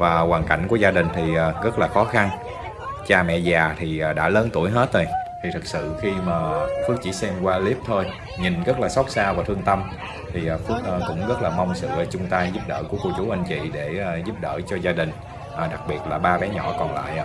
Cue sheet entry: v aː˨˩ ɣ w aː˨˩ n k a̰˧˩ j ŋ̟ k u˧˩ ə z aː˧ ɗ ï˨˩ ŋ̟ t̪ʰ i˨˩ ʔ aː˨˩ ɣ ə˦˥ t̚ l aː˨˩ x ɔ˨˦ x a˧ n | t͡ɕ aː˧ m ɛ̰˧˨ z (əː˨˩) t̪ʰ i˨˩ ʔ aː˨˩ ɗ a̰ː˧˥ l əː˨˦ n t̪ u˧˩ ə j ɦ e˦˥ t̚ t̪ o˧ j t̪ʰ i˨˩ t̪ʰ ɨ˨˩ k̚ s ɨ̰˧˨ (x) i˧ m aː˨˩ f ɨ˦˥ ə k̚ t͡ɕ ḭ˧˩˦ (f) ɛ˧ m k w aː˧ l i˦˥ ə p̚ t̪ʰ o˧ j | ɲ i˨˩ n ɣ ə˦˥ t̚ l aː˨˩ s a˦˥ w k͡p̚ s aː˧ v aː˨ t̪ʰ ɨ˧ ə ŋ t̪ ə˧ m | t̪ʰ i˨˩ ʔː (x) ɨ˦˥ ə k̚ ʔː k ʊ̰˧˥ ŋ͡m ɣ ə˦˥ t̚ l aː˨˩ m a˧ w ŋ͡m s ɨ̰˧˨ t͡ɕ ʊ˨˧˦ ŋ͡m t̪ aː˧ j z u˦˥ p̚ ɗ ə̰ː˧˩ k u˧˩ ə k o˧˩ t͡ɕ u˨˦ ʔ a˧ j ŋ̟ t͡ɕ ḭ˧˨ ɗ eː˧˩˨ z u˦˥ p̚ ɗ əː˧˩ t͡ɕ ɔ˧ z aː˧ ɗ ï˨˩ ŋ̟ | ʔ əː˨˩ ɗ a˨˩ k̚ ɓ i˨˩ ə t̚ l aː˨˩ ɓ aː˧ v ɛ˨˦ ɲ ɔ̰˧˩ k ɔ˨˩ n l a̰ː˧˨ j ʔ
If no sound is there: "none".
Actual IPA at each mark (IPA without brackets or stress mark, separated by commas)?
aː˨˩, x, s, f